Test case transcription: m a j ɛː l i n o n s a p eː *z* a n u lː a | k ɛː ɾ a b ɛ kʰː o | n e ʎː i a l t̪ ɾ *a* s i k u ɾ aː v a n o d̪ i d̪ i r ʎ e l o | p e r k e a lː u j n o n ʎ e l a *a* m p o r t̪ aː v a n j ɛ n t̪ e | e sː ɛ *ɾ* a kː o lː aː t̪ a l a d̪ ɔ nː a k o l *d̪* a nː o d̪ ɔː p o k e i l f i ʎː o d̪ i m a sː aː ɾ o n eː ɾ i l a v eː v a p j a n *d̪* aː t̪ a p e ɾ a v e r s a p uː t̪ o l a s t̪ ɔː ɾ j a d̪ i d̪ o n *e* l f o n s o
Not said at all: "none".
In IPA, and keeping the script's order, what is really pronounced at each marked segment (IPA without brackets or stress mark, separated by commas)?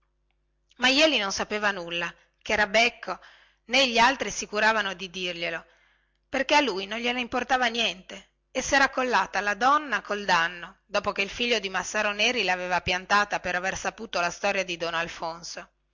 v, i, i, ɾ, d̪, t̪, a